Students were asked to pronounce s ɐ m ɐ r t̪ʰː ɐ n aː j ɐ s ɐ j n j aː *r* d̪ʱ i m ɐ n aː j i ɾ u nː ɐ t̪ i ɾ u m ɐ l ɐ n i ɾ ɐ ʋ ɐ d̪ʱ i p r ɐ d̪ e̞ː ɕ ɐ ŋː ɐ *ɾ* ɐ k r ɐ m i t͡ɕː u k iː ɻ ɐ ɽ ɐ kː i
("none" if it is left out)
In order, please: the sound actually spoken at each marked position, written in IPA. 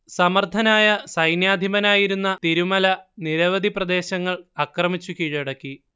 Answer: none, ɭ

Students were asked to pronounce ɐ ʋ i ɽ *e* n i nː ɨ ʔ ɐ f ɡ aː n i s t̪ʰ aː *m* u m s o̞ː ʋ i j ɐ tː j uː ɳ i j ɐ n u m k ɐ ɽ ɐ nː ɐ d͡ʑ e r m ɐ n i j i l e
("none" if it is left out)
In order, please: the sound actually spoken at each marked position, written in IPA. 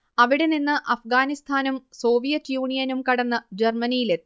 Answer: e, n

